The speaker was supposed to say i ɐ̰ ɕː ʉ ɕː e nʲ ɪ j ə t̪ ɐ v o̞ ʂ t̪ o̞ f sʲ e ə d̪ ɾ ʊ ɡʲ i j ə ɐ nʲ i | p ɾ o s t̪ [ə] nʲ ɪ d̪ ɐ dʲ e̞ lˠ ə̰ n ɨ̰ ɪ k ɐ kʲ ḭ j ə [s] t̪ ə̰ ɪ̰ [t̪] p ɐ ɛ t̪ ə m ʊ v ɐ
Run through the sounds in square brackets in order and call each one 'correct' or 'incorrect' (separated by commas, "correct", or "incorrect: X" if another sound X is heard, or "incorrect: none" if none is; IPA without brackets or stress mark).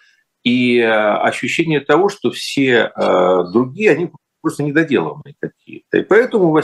correct, incorrect: none, incorrect: none